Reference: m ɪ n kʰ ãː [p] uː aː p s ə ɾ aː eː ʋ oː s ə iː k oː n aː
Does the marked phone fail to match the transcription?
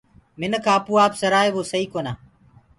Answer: no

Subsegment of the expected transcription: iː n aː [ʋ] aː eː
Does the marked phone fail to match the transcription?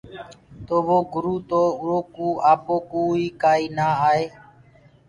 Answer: yes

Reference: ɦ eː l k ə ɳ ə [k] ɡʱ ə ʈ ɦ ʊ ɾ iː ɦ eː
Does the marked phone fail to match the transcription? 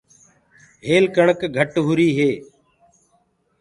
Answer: no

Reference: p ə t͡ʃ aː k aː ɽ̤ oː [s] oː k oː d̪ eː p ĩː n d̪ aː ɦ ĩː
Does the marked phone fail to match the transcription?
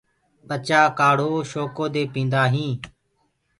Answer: yes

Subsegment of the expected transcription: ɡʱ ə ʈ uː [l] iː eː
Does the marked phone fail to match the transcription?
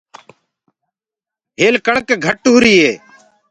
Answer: yes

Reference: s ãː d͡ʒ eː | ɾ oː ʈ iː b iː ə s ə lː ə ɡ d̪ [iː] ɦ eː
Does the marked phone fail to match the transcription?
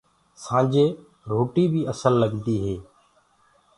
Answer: no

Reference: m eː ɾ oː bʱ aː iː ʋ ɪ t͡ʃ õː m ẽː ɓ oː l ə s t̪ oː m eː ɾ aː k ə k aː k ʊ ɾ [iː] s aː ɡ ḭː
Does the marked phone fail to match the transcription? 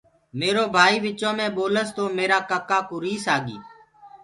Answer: no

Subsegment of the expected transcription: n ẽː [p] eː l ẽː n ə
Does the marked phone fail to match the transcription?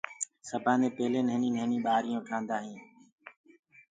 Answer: no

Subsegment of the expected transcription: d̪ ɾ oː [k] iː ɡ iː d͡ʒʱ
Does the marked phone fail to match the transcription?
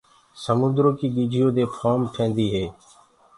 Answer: no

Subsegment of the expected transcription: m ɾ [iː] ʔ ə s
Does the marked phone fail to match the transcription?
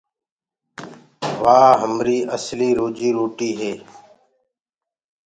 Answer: no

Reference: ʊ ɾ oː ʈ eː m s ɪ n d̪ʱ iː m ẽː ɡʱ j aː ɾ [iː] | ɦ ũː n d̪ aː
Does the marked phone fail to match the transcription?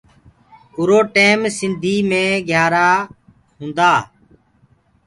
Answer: yes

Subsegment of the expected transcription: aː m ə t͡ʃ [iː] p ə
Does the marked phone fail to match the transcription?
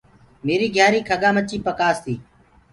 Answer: no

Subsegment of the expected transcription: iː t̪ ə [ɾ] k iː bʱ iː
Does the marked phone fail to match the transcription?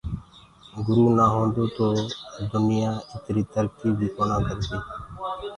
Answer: no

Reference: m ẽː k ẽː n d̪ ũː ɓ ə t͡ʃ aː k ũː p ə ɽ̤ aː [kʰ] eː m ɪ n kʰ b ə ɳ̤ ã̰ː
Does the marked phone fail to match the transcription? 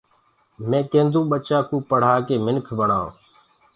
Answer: yes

